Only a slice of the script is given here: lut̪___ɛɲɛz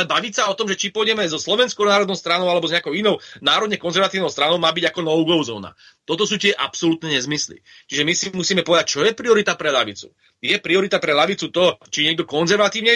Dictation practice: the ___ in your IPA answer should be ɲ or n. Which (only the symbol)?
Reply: n